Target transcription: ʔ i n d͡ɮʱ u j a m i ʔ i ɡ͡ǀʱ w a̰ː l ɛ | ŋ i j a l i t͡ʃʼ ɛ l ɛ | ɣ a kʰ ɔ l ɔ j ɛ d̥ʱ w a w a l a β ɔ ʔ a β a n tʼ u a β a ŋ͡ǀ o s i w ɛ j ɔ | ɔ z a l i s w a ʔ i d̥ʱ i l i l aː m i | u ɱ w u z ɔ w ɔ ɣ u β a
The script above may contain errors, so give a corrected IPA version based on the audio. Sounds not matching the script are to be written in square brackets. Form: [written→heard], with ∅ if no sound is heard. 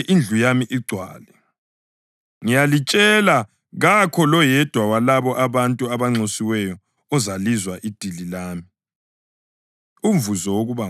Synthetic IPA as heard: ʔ i n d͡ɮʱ u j a m i ʔ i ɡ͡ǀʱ w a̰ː l ɛ | ŋ i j a l i t͡ʃʼ ɛ l [ɛ→a] | ɣ a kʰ ɔ l ɔ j ɛ d̥ʱ w a w a l a β ɔ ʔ a β a n tʼ u a β a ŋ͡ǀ o s i w ɛ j ɔ | ɔ z a l i [s→z] w a ʔ i d̥ʱ i l i l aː m i | u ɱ [w→v] u z ɔ w [ɔ→o] ɣ u β a